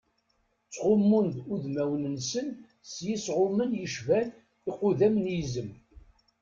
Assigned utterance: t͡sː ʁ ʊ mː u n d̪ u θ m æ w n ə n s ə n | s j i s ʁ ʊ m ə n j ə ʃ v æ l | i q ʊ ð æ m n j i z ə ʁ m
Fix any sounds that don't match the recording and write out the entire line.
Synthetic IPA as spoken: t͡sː ʁ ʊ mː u n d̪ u ð m æ w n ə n s ə n | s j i s ʁ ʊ m ə n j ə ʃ v æ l | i q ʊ ð æ m n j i z ə m